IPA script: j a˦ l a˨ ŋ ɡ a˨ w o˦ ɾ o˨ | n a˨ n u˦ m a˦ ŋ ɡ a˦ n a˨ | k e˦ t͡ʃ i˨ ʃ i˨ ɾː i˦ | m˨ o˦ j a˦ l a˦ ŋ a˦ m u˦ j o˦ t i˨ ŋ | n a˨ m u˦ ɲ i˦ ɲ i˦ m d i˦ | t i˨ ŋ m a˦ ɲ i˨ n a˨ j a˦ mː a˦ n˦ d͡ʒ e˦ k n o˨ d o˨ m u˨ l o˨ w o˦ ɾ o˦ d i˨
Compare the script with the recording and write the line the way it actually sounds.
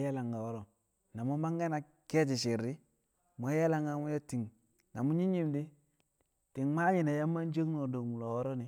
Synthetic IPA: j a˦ l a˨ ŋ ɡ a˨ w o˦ ɾ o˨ | n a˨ m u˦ m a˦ ŋ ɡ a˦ n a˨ | k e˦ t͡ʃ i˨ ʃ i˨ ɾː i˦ | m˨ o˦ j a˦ l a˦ ŋ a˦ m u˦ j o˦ t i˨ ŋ | n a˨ m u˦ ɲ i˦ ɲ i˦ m d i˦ | t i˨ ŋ m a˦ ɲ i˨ n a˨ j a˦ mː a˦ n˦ d͡ʒ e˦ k n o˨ d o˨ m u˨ l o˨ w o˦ ɾ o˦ n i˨